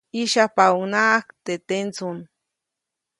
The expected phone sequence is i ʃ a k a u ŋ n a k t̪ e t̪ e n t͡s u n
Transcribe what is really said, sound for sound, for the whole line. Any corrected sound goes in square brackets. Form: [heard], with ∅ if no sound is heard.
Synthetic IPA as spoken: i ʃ a [p] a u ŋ n a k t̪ e t̪ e n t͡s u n